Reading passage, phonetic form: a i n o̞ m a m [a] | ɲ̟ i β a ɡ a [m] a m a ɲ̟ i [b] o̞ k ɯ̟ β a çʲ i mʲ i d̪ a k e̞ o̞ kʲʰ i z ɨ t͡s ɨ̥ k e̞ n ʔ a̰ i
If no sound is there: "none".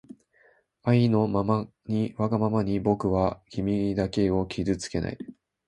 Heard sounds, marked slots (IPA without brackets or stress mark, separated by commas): a, m, b